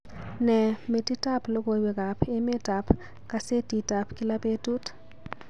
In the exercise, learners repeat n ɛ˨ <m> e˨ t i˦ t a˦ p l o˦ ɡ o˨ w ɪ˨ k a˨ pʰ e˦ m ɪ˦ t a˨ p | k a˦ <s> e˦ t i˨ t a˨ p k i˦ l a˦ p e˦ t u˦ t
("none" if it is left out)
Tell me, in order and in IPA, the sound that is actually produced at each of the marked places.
m, s

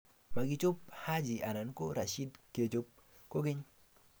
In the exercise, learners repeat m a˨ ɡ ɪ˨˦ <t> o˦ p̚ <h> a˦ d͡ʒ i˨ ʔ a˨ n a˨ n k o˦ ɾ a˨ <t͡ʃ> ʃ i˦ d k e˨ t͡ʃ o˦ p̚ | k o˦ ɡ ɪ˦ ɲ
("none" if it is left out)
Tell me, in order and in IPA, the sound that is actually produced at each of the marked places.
t͡ʃ, h, none

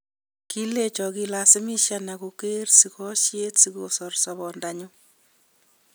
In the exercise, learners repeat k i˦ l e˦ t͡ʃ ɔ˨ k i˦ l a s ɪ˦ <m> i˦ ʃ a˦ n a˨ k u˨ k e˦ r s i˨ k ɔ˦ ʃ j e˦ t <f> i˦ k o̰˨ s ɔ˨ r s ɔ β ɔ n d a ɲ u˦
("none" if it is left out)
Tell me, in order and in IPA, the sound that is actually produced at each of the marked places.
m, s

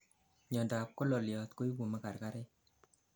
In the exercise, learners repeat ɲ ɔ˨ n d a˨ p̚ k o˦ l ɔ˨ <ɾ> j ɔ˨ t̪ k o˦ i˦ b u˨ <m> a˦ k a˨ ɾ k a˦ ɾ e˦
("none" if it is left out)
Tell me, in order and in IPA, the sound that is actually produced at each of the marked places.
l, m

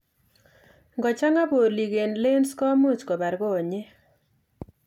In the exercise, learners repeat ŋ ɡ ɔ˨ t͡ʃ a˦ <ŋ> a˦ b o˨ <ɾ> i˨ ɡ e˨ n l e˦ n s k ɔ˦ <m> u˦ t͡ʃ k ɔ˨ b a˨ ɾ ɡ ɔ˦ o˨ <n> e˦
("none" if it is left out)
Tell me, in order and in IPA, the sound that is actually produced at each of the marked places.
ŋ, l, m, ɲ

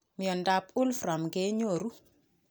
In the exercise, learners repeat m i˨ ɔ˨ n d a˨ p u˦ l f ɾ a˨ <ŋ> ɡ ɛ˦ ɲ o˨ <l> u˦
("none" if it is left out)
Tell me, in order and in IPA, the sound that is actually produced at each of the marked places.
m, ɾ

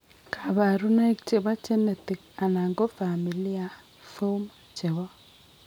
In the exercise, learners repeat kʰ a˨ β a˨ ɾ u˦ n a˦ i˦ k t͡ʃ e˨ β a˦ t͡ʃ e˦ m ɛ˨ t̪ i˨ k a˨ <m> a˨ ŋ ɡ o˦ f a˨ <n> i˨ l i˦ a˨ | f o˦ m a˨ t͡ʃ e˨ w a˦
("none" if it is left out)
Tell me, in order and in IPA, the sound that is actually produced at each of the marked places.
n, m

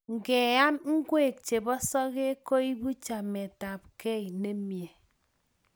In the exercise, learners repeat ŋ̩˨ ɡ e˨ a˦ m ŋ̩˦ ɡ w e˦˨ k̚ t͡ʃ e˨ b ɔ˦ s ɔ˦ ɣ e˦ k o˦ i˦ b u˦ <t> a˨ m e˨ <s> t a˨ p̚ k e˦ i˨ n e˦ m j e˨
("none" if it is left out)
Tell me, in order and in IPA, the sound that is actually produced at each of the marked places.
t͡ʃ, none

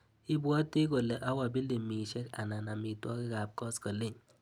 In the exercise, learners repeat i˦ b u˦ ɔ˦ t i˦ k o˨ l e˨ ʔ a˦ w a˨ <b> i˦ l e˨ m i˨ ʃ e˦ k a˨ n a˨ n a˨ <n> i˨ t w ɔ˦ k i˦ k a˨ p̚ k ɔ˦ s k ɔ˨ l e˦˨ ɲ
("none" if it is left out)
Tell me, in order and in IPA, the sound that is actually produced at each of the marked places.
b, m

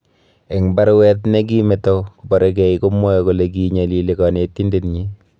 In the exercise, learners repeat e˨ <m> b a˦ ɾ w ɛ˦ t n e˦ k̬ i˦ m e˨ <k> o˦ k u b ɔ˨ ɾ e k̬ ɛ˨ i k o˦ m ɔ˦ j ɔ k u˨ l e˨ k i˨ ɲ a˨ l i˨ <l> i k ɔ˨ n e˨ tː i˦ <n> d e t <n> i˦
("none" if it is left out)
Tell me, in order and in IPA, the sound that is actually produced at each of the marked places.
ŋ, t, l, n, ɲ

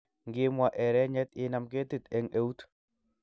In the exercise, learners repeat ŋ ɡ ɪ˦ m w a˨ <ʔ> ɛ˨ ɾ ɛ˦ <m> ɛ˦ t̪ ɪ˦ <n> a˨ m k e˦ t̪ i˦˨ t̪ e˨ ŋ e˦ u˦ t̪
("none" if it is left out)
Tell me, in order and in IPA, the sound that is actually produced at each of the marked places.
ʔ, ɲ, n

